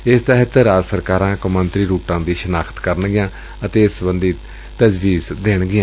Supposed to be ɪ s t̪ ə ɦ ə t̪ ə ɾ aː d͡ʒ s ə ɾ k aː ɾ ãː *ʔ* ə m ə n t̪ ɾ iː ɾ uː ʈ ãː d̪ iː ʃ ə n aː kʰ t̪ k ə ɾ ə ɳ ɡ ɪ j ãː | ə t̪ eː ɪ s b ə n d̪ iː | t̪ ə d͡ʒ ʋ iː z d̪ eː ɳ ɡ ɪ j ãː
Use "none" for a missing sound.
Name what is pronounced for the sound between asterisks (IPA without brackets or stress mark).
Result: k